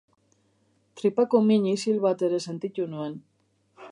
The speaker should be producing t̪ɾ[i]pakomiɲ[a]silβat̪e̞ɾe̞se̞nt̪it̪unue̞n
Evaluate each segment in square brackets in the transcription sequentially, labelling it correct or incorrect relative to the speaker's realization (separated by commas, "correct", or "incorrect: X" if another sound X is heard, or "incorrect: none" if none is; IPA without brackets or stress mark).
correct, incorrect: i